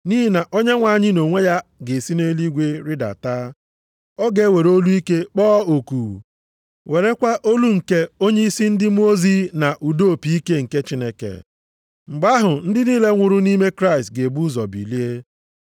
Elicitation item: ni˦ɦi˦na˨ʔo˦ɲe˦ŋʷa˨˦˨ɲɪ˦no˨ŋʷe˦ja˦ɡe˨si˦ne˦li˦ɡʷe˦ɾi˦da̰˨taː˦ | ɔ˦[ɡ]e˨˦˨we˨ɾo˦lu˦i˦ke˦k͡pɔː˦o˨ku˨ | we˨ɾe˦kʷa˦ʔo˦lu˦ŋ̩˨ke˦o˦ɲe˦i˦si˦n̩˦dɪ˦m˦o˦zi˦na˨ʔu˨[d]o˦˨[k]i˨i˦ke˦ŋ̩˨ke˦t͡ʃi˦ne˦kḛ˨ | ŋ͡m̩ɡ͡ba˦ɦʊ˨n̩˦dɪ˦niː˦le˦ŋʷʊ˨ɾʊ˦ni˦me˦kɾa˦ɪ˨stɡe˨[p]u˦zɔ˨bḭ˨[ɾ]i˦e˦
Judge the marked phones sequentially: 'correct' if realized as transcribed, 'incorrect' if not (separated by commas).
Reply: correct, correct, incorrect, incorrect, incorrect